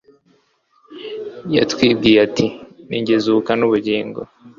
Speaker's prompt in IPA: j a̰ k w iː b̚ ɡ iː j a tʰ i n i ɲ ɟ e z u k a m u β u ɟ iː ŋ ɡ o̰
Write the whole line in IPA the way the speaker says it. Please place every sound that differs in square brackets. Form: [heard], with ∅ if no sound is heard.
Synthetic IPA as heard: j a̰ [t] w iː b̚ ɡ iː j a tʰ i n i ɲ ɟ e z u k a [n] u β u ɟ iː ŋ ɡ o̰